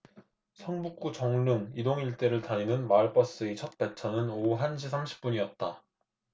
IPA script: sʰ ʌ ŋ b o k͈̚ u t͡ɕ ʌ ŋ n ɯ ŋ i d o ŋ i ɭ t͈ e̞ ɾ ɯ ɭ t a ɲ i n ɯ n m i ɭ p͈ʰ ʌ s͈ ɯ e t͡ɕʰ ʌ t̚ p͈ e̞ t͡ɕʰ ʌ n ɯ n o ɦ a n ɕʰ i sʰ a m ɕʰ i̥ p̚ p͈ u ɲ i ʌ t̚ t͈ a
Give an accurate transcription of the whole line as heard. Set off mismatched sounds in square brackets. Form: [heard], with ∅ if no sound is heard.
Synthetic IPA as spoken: sʰ ʌ ŋ b [u] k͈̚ u t͡ɕ ʌ ŋ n ɯ ŋ i d o ŋ i ɭ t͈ e̞ ɾ ɯ ɭ t a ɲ i n ɯ n m [a] ɭ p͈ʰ ʌ s͈ ɯ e t͡ɕʰ ʌ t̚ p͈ e̞ t͡ɕʰ ʌ n ɯ n o ɦ a n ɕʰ i sʰ a m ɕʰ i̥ p̚ p͈ u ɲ i ʌ t̚ t͈ a